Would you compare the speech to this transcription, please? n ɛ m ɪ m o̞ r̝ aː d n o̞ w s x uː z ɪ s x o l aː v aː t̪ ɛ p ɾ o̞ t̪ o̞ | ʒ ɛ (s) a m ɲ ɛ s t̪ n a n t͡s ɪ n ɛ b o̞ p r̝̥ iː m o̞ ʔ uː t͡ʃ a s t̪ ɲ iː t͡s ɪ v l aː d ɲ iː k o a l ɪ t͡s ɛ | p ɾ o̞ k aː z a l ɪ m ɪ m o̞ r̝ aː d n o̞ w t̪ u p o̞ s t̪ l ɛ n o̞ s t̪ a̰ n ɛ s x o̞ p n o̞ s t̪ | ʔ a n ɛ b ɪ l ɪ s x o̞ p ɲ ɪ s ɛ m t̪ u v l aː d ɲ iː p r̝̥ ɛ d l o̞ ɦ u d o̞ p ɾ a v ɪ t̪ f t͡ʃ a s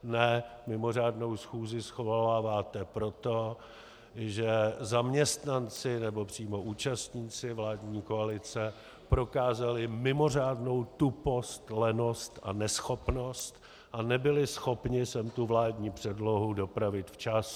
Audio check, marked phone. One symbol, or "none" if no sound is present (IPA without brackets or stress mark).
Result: z